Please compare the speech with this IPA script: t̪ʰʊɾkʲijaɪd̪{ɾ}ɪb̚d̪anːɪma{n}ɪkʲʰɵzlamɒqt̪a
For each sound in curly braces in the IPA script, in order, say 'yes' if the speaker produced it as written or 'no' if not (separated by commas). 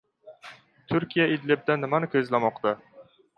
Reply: no, yes